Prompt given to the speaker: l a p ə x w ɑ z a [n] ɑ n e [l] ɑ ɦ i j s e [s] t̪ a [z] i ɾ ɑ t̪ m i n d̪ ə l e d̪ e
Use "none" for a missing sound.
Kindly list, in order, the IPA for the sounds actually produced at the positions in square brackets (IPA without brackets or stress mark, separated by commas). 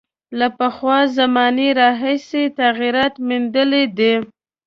m, ɾ, none, ɣ